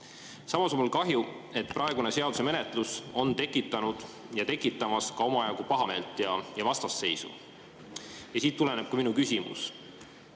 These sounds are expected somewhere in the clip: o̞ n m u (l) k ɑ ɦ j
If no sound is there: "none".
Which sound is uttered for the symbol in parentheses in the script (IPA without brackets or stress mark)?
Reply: l